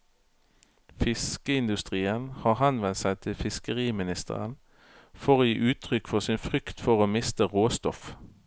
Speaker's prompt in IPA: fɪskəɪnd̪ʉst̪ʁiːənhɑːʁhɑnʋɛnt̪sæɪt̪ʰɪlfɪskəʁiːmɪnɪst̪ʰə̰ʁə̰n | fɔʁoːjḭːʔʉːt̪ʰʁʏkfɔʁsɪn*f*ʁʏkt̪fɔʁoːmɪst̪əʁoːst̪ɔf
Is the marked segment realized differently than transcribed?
no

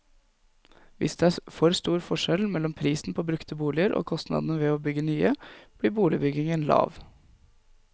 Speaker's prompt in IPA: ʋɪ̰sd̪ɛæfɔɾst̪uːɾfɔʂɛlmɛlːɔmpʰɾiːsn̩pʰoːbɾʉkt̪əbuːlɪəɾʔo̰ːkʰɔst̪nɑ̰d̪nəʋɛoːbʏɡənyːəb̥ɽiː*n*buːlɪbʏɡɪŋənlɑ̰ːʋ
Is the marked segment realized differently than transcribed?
yes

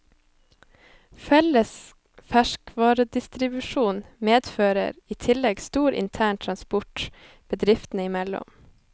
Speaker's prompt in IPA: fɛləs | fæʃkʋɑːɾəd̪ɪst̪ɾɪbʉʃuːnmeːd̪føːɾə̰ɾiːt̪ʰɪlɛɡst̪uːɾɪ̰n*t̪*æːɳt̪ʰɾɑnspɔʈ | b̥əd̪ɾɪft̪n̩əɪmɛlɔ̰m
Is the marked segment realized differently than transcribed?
yes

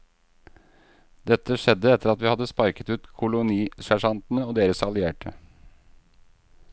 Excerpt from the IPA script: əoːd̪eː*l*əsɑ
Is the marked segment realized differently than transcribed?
yes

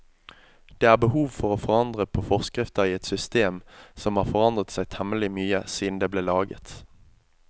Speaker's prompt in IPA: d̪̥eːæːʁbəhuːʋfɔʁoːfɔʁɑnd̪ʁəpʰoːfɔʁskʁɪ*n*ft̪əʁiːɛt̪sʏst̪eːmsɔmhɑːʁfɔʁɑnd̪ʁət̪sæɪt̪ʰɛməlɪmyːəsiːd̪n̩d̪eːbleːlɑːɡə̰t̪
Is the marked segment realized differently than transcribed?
yes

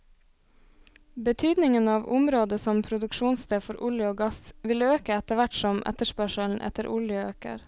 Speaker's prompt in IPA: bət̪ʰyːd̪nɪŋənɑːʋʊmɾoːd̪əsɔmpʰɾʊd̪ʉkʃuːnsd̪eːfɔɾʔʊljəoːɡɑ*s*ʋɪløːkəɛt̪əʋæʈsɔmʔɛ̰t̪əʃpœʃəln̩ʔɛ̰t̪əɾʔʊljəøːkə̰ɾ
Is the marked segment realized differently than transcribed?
no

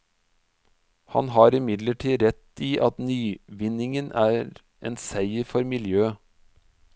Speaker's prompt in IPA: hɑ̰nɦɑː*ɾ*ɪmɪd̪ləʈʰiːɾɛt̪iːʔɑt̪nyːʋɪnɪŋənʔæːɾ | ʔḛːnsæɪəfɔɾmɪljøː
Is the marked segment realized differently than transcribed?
no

